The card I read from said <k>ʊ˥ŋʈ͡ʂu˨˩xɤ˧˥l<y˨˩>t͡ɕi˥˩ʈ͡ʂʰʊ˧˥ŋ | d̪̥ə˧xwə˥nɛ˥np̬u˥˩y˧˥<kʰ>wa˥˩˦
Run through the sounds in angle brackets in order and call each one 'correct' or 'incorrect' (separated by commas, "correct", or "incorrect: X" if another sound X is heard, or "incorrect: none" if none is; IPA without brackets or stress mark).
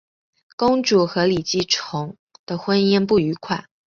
correct, incorrect: i˨˩, correct